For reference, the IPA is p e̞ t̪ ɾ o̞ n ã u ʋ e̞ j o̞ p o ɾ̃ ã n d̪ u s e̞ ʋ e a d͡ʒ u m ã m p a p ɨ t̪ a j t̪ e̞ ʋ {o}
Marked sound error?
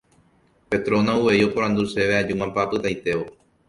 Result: no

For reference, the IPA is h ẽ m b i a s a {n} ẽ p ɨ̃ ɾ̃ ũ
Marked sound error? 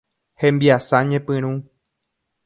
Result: yes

